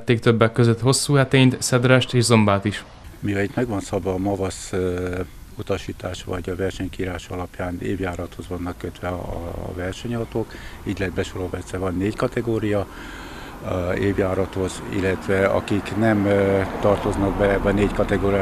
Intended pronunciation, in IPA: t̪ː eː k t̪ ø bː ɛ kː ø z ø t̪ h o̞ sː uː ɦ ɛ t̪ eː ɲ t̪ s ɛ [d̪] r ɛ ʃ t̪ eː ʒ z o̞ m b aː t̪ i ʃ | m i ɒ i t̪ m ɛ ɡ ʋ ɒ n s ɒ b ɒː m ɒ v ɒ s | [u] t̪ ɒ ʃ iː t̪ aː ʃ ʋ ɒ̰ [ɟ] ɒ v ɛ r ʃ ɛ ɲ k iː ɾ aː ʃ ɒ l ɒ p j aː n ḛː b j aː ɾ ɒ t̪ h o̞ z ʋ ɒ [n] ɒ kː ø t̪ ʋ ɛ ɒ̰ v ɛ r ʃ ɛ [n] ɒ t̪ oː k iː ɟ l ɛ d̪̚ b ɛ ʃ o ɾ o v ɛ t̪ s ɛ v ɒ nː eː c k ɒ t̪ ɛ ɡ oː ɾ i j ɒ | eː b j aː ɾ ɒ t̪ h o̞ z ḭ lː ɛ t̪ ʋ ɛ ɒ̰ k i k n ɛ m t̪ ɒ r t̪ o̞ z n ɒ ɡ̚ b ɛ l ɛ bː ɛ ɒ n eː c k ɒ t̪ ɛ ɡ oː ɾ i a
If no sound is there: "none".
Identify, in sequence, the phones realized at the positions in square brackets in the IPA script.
d̪, u, ɟ, nː, ɲ

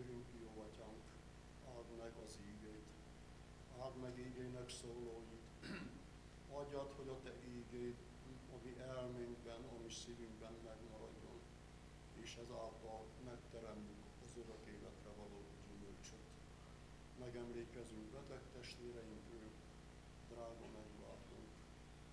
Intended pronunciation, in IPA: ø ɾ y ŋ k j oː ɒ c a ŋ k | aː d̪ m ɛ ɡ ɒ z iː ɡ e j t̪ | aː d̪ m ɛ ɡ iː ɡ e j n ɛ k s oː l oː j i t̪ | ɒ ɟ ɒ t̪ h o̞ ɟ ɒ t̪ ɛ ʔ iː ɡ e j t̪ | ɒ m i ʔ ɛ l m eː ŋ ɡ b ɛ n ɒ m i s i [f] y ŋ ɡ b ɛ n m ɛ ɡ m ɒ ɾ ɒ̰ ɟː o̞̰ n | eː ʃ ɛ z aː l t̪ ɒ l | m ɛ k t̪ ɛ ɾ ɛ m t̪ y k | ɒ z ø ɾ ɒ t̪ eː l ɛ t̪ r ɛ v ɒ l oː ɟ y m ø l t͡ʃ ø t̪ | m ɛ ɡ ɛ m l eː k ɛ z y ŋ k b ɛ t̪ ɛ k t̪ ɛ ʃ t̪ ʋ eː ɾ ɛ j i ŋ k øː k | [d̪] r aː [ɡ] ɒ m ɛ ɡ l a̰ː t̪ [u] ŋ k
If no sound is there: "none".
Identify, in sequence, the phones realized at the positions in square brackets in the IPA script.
v, d̪, ɡ, u

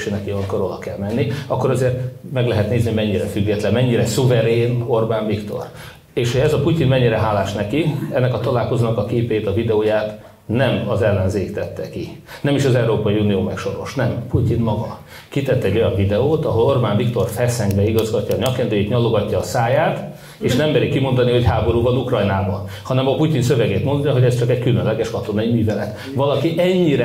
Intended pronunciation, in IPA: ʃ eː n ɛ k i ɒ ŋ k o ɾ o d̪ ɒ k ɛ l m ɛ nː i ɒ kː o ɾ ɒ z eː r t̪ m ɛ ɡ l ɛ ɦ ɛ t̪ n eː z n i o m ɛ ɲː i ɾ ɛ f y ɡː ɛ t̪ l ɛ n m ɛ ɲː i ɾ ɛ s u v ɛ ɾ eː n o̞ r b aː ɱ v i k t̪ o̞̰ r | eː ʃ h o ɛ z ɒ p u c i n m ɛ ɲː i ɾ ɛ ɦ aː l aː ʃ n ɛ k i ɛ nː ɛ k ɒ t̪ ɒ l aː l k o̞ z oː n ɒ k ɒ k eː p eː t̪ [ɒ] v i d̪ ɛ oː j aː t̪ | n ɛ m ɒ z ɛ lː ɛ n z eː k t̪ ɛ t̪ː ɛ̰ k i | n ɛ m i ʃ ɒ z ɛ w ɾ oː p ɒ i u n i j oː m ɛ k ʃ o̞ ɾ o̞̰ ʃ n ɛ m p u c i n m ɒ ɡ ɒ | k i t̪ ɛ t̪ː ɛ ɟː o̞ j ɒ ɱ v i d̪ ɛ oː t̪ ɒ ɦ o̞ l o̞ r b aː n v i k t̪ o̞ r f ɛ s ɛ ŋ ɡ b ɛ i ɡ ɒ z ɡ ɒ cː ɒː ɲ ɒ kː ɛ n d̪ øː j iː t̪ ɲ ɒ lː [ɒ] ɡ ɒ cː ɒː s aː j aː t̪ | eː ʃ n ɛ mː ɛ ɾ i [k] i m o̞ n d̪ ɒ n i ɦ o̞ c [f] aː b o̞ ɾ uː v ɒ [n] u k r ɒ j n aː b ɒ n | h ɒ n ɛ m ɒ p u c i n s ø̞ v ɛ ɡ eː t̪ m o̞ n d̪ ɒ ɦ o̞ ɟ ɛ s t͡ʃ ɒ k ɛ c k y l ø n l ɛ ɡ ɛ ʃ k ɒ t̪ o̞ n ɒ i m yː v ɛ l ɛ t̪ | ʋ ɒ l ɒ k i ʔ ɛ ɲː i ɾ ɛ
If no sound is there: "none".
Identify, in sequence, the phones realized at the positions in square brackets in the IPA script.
ɒ, o, k, h, n

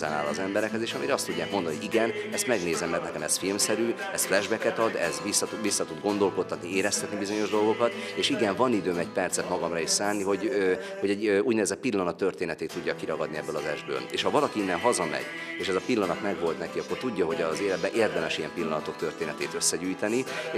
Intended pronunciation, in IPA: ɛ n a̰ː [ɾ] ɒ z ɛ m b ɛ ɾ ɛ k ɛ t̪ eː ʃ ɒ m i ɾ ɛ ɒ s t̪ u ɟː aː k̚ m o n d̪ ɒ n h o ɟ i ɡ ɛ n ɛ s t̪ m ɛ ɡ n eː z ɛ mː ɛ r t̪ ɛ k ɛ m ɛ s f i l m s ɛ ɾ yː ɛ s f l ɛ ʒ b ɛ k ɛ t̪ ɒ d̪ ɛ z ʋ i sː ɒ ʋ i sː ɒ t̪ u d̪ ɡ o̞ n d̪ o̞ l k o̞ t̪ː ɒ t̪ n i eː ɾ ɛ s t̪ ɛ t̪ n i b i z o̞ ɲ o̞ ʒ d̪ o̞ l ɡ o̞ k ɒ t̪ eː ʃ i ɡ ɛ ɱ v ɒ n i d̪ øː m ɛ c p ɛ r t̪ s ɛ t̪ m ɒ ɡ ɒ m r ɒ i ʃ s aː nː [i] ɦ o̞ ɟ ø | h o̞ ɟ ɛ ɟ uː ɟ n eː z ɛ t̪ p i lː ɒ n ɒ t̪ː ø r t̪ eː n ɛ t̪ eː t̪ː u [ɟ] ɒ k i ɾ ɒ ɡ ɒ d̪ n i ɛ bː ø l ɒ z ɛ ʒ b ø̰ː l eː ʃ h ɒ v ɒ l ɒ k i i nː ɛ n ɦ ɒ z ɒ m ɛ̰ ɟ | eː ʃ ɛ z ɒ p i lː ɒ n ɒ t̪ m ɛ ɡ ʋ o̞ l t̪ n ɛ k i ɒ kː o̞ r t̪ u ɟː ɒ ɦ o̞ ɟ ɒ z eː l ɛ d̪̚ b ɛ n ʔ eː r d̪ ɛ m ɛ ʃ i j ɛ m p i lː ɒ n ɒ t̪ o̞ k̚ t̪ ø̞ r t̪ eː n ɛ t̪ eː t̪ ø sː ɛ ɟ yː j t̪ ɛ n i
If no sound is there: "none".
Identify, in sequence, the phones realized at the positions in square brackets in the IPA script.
l, i, ɟː

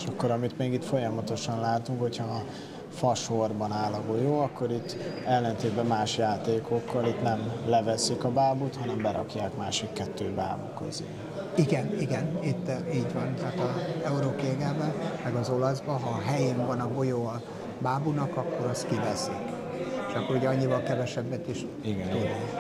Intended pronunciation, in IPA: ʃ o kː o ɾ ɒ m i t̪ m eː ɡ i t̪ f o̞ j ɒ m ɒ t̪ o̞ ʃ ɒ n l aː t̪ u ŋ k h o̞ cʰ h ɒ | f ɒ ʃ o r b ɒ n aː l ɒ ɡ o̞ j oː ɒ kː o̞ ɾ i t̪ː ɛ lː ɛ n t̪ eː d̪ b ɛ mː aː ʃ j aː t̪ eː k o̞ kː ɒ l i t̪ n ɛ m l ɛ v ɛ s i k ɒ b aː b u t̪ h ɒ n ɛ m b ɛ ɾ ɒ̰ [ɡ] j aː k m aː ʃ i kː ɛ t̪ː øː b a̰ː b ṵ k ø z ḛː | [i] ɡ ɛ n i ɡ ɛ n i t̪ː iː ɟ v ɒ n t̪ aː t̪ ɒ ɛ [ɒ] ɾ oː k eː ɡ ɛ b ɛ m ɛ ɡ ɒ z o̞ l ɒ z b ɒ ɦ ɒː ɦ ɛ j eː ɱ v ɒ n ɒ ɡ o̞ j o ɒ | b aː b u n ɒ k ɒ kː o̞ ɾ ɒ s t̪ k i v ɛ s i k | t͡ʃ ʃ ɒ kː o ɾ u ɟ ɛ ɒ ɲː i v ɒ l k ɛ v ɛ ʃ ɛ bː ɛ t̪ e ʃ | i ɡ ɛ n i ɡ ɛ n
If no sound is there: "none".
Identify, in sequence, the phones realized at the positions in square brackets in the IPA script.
k, i, u

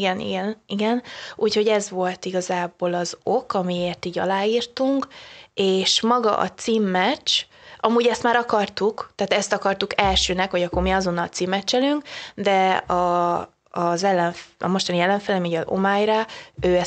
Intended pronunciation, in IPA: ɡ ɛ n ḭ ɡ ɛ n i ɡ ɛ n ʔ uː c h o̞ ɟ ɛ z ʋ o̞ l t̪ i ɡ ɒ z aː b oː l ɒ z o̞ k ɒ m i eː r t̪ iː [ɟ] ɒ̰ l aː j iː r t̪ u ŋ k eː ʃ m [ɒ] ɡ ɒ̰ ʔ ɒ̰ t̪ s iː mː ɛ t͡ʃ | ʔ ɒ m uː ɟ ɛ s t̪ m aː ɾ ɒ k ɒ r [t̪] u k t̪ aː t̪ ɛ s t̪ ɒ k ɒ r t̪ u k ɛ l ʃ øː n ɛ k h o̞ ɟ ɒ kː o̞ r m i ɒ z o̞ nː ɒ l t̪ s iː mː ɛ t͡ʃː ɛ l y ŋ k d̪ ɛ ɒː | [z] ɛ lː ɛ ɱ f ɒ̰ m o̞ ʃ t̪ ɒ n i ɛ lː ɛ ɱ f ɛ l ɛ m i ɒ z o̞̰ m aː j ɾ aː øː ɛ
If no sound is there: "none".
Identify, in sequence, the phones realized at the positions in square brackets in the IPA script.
ɟ, ɒ, t̪, z

